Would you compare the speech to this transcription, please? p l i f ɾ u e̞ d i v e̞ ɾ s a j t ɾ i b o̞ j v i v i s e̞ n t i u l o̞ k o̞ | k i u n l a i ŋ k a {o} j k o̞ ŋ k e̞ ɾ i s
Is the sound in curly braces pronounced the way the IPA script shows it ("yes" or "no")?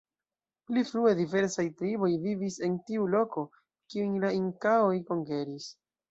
yes